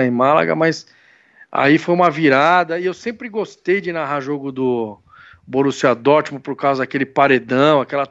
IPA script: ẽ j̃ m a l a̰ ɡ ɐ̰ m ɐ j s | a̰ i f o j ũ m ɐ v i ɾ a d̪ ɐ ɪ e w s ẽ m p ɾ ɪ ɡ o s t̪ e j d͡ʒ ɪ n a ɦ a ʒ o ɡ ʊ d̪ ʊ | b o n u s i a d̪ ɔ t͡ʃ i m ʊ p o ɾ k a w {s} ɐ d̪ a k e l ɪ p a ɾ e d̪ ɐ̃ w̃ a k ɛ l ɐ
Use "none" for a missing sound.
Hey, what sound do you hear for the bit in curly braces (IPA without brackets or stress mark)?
z